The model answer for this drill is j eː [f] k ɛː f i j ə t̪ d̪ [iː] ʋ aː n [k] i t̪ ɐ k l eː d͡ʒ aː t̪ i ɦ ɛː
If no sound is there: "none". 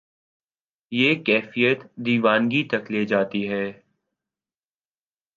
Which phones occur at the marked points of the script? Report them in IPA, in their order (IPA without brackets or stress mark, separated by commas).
none, iː, ɡ